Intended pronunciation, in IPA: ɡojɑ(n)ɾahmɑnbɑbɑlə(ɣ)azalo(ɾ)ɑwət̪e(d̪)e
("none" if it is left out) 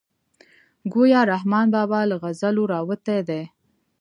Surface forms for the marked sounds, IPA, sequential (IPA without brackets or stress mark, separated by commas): none, ɣ, ɾ, d̪